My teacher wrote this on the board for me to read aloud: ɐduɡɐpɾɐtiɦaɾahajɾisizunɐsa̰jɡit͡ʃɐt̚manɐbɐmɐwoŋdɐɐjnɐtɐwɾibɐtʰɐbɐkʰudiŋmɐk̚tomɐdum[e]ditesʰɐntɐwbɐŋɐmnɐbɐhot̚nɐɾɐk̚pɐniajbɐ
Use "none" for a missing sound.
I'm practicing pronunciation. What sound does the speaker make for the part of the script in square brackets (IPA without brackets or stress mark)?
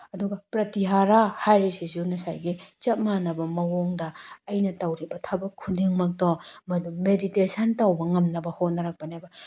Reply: e